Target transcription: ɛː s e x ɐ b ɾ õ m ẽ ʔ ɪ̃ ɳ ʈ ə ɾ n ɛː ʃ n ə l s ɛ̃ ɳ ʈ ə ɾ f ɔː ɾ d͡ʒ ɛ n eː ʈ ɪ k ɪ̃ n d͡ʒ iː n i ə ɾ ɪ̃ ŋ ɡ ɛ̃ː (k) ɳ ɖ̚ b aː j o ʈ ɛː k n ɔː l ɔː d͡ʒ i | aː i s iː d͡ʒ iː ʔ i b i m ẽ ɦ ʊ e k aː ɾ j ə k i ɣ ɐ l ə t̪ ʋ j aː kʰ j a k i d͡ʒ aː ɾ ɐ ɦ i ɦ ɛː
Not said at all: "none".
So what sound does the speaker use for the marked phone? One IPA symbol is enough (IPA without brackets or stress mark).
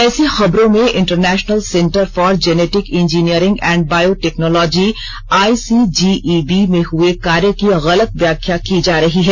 none